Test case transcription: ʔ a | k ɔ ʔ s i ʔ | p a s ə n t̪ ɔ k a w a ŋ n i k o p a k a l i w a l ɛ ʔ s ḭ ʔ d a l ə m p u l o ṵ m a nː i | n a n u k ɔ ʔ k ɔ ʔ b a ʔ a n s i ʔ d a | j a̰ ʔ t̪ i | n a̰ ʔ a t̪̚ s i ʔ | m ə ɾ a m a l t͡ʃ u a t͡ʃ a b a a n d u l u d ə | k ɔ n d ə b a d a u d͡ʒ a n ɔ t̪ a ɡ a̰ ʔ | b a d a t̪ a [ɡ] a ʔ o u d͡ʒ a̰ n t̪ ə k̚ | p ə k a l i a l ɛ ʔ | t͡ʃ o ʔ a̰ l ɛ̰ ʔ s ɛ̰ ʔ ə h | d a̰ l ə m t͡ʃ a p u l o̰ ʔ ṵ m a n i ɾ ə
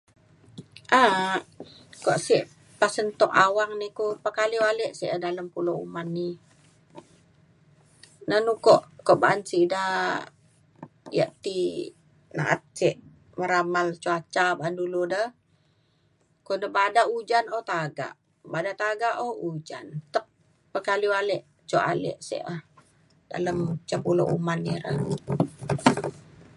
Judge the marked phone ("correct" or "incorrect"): correct